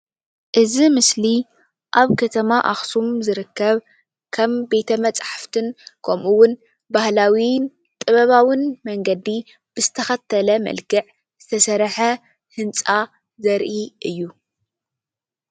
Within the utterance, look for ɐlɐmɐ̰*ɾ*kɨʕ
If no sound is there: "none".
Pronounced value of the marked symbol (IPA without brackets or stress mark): l